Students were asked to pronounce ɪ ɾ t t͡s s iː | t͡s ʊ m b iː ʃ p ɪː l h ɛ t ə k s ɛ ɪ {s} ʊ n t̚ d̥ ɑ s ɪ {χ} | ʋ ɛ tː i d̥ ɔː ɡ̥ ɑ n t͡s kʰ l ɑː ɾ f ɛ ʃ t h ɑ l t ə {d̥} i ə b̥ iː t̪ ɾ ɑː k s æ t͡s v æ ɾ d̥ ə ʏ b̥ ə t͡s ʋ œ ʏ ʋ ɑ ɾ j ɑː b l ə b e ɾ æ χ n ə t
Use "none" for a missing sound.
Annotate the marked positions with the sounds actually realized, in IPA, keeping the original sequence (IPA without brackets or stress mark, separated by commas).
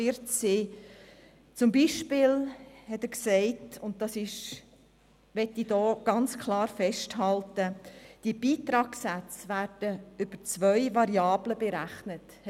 t, ʃ, d̥